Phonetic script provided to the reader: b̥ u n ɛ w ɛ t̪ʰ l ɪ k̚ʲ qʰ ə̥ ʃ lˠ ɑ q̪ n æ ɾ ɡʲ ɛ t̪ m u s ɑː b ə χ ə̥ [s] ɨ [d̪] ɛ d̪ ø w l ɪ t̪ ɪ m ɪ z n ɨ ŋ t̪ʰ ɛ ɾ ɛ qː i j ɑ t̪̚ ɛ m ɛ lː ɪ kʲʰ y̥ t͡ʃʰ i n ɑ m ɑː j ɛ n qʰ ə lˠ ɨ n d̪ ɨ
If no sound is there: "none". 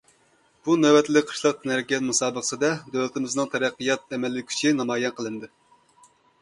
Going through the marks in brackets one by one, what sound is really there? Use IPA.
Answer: s, d̪

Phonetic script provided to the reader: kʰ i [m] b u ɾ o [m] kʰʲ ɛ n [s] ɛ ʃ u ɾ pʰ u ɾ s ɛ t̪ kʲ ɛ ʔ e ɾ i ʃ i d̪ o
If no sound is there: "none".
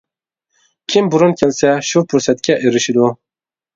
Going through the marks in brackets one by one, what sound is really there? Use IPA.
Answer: m, n, s

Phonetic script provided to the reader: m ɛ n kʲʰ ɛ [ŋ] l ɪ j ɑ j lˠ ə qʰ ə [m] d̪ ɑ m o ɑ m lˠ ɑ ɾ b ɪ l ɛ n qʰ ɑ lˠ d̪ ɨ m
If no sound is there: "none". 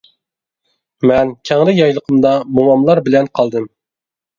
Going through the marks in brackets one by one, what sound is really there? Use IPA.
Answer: ŋ, m

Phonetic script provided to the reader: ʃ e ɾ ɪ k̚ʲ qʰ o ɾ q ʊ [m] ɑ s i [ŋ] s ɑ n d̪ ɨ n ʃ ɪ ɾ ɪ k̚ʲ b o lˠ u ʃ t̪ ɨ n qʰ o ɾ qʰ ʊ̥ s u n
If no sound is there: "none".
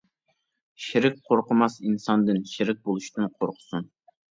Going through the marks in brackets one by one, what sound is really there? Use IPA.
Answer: m, n

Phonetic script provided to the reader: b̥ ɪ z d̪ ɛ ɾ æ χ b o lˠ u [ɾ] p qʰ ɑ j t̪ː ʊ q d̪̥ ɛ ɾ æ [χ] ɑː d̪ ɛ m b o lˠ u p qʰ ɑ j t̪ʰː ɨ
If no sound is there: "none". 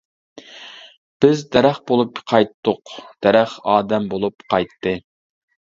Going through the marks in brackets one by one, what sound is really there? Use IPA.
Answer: none, χ

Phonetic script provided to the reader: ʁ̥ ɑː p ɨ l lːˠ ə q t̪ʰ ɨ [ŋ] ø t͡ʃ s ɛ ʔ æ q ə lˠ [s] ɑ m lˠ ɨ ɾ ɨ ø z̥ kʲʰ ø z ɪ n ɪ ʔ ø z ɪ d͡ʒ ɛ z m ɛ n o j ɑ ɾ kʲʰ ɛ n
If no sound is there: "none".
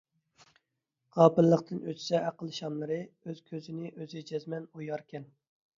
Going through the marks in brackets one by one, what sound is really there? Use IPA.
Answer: n, ʃ

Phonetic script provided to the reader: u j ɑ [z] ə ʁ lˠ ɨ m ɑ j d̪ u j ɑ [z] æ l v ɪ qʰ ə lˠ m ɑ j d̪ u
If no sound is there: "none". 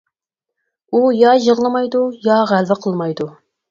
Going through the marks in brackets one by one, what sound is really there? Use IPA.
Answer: ʒ, ʁ

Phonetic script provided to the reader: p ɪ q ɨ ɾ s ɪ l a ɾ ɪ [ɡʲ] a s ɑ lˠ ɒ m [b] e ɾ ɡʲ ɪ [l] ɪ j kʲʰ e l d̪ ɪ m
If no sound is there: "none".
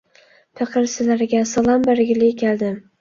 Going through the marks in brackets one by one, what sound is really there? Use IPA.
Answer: ɡʲ, b, l

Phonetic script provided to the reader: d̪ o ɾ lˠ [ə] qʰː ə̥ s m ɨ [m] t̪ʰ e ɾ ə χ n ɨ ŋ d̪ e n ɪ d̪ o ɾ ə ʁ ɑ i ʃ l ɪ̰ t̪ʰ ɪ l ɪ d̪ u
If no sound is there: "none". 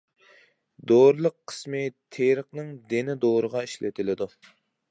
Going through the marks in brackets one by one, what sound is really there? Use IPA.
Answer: ə, none

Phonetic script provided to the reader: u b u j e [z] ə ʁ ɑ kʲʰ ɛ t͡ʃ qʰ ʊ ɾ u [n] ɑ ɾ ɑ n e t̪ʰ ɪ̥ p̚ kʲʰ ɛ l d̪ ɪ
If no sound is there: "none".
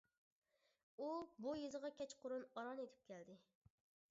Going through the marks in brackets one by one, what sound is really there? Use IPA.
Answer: z, n

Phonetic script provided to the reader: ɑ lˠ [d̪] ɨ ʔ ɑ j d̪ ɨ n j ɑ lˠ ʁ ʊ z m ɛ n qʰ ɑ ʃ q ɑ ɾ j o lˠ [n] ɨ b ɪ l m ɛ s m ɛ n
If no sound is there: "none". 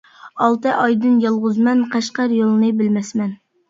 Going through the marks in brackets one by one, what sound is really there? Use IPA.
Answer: t̪, n

